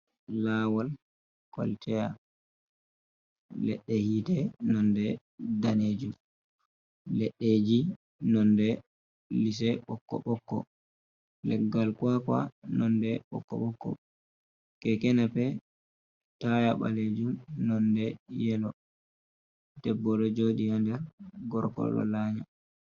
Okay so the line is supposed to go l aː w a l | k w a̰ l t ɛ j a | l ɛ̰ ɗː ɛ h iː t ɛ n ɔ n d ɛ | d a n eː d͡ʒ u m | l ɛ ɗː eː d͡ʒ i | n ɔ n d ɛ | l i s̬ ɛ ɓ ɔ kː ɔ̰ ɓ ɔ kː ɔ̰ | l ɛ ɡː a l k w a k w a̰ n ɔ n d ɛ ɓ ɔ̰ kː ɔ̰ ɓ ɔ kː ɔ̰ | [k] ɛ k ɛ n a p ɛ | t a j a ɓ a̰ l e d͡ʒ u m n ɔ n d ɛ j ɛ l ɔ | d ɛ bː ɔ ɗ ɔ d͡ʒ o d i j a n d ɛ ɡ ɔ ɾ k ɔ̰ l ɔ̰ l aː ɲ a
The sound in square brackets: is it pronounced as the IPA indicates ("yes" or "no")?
yes